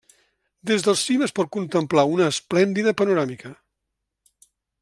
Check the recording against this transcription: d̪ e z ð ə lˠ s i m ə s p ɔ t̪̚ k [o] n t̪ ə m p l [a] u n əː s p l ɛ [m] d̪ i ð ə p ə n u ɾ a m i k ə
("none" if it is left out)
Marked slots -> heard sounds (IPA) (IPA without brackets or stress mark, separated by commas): u, a, n